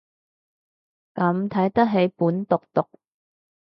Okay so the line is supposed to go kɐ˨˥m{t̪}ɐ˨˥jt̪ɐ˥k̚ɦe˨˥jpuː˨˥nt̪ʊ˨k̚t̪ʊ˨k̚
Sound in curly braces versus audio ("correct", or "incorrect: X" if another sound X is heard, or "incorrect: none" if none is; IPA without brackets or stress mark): incorrect: t̪ʰ